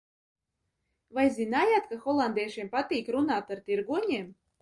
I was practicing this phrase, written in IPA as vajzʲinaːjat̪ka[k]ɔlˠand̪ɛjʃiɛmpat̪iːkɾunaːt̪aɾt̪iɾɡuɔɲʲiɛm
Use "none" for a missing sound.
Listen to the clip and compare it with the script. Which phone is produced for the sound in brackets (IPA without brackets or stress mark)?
x